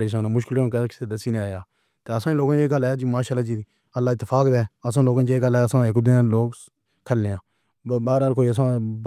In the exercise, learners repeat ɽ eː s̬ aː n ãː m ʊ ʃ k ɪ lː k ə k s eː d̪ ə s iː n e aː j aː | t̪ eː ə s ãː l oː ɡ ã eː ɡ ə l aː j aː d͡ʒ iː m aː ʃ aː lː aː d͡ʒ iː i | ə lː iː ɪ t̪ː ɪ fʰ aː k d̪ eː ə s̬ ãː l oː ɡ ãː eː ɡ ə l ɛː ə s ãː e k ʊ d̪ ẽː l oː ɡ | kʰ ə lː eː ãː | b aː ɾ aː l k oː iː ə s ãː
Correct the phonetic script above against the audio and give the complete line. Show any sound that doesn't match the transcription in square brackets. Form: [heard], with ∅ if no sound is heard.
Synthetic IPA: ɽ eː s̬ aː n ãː m ʊ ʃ k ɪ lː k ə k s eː d̪ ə s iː n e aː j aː | t̪ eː ə s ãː l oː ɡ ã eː ɡ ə l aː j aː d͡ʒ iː m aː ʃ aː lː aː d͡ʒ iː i | ə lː [aː] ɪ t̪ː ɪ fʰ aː k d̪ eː ə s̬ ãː l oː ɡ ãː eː ɡ ə l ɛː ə s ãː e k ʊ d̪ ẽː l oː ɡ | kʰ ə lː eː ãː | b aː ɾ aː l k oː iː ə s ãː